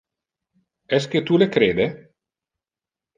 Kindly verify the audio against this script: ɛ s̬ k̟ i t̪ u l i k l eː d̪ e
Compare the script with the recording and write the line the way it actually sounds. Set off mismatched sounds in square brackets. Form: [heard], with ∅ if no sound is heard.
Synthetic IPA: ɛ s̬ k̟ [e] t̪ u l [e] k [ɾ] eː d̪ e